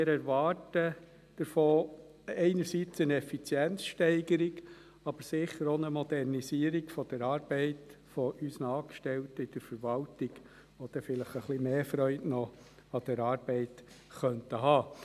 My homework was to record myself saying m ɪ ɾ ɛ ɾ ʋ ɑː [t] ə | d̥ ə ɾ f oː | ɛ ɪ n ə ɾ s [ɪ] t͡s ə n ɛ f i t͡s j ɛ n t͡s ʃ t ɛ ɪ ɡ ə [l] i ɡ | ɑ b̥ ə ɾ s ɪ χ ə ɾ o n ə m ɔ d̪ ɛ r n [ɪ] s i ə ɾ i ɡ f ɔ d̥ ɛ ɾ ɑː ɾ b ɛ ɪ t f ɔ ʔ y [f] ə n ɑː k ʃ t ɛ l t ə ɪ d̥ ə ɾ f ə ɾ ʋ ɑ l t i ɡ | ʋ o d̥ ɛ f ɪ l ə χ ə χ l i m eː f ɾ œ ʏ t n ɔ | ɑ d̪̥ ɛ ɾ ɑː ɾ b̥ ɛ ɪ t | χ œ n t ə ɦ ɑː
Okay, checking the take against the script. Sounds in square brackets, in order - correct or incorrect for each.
correct, incorrect, incorrect, incorrect, incorrect

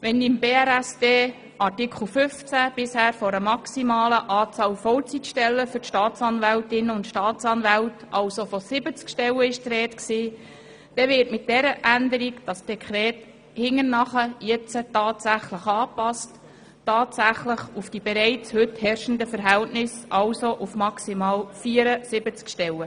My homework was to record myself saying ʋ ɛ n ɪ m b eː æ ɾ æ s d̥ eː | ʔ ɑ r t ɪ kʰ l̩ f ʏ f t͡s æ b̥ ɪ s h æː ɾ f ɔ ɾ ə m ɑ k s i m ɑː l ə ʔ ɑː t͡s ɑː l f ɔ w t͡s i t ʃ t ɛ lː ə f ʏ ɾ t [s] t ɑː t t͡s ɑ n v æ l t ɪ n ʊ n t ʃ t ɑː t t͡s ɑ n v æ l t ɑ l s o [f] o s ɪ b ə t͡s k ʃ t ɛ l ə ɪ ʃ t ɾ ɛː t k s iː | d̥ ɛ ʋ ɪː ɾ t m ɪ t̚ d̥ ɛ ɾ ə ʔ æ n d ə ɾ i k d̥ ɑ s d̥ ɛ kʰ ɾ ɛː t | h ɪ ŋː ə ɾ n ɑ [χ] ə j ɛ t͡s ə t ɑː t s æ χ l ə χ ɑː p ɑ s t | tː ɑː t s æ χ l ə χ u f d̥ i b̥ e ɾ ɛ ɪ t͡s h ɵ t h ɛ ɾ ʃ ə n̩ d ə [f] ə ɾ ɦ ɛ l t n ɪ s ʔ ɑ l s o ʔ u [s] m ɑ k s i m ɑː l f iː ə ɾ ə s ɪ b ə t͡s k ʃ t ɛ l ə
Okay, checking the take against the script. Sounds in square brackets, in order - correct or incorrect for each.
incorrect, correct, correct, correct, incorrect

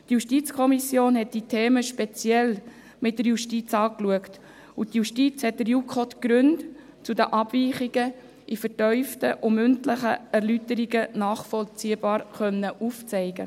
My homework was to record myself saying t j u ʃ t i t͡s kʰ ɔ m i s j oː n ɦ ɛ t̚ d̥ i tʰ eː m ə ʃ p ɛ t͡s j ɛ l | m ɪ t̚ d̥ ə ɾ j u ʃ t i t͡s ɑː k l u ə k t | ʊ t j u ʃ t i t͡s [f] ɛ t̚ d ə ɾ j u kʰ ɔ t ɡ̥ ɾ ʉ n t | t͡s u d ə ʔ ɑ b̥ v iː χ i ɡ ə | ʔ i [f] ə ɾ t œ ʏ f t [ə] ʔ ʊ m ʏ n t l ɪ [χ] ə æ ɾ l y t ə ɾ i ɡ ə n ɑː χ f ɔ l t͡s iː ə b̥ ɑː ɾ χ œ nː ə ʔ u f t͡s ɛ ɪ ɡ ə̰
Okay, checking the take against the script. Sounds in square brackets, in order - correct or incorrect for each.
incorrect, correct, correct, correct

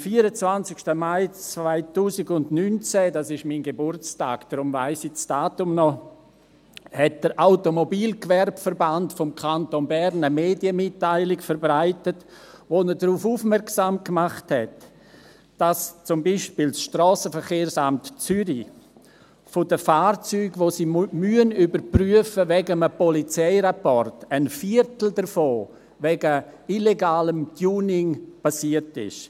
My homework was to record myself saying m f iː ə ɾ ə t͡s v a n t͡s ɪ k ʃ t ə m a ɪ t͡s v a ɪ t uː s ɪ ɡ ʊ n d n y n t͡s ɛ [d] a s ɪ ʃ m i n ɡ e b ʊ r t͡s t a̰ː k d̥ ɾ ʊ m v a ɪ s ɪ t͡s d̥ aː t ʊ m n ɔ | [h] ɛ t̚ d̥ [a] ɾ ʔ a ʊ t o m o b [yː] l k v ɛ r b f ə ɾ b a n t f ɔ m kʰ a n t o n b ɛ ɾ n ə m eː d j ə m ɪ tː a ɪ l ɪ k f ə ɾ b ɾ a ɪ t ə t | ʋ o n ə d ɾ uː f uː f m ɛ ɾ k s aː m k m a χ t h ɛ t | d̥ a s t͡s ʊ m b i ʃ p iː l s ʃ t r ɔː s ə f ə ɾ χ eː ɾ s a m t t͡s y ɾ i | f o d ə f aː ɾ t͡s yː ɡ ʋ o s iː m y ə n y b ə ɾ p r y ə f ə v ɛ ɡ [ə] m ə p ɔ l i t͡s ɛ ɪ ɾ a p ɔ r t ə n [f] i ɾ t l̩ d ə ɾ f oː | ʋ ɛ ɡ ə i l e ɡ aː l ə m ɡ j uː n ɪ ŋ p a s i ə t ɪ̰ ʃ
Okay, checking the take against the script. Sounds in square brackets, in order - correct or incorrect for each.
correct, correct, incorrect, incorrect, correct, correct

